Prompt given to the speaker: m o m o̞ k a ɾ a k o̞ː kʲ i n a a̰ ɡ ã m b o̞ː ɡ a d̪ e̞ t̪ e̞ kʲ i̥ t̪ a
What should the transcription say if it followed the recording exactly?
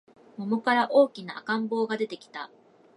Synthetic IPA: m o m o̞ k a ɾ a ʔ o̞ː kʲ i n a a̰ k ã m b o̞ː ɡ a d̪ e̞ t̪ e̞ kʲ i̥ t̪ a